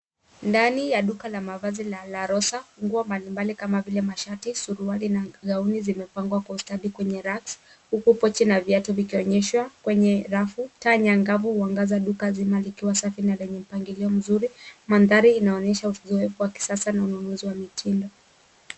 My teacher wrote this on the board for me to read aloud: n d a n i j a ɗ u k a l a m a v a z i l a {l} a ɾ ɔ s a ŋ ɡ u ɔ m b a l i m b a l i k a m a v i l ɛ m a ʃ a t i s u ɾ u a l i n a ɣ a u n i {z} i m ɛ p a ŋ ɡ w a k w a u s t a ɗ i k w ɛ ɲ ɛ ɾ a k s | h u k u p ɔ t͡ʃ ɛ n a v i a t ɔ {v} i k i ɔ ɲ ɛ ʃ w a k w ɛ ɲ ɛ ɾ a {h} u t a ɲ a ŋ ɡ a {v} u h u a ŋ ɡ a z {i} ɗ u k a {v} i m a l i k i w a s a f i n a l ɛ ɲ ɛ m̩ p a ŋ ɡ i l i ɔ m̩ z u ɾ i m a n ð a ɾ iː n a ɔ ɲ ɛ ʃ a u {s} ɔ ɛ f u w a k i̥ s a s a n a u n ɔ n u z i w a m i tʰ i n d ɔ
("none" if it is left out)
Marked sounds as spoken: l, z, v, f, v, a, z, z

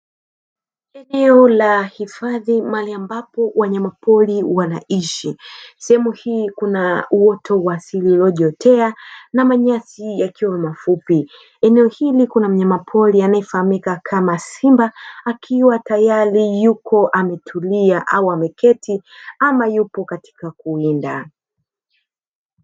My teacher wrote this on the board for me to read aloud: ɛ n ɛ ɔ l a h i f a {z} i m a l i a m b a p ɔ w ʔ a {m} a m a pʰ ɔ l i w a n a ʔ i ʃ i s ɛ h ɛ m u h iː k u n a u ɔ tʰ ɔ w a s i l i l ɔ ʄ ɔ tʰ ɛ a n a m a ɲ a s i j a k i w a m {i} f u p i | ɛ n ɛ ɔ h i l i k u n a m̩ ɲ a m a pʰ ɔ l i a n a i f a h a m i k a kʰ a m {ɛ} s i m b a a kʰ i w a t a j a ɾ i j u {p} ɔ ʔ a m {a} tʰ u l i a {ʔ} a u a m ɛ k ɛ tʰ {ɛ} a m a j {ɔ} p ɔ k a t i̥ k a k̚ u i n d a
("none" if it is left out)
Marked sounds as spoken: ð, ɲ, a, a, k, ɛ, ʔ, i, u

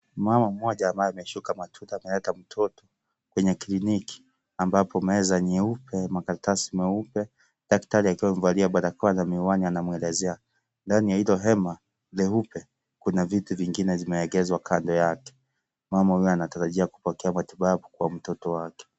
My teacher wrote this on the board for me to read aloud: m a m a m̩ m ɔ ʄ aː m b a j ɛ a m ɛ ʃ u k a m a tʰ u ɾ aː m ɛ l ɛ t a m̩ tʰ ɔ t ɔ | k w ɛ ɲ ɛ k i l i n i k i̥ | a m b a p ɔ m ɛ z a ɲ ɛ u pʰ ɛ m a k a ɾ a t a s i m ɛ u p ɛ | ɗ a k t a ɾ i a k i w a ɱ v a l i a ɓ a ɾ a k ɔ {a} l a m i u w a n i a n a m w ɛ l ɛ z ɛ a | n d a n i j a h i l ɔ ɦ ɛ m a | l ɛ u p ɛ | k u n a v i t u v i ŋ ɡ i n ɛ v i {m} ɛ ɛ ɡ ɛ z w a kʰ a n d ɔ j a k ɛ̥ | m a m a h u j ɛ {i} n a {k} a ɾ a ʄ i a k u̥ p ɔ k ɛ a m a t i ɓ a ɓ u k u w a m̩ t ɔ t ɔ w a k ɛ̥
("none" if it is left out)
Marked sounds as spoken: a, m, a, t

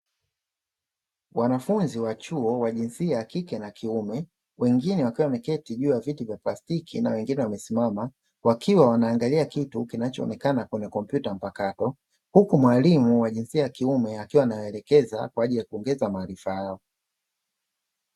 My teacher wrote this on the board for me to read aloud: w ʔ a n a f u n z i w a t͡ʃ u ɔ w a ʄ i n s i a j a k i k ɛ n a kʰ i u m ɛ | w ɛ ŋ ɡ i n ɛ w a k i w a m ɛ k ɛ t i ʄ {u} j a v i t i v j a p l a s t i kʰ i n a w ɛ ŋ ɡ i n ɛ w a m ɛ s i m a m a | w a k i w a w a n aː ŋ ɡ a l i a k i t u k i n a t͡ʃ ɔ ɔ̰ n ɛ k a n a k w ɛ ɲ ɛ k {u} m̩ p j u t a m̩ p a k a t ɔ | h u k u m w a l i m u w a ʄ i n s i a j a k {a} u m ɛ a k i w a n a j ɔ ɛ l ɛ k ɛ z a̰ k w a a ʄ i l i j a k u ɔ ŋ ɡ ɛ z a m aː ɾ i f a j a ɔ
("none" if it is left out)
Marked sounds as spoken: uː, ɔ, i

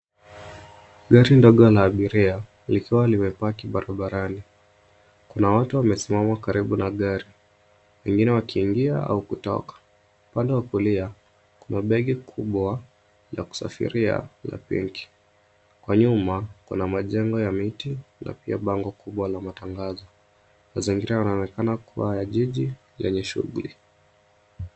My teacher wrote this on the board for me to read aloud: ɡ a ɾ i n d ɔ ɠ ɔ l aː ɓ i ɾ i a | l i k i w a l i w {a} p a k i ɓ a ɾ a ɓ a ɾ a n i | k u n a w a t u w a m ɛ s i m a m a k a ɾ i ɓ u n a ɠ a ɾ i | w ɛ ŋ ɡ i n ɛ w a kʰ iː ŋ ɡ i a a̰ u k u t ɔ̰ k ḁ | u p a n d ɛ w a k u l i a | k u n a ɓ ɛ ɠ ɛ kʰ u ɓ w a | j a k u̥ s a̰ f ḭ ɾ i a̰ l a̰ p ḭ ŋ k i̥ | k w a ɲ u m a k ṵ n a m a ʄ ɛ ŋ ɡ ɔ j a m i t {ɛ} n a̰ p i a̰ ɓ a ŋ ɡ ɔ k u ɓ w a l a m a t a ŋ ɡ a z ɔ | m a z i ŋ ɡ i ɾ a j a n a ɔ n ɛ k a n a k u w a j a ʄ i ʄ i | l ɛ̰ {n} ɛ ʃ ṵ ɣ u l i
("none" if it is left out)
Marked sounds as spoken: ɛ, i, ɲ

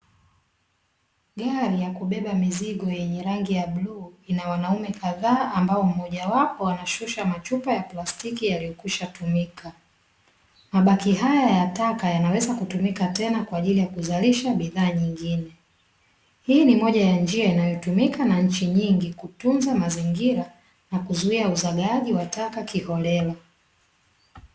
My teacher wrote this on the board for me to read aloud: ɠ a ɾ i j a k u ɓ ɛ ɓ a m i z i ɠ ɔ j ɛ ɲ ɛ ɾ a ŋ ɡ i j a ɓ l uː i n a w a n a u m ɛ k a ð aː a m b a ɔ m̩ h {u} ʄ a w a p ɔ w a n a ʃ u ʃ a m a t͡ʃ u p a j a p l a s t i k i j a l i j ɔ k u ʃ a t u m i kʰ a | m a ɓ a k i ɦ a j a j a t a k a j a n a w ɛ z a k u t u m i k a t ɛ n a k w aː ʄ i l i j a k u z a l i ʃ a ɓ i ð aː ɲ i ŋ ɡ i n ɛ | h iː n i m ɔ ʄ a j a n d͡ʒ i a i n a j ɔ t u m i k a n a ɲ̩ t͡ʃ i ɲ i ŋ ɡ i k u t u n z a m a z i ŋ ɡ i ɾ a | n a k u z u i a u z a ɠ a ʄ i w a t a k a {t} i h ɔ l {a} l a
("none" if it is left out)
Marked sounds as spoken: ɔ, k, ɛ

